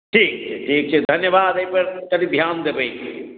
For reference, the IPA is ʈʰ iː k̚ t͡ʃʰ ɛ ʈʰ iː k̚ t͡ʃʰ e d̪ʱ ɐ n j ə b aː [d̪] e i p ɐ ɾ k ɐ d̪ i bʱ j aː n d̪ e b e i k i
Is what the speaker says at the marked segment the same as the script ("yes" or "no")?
yes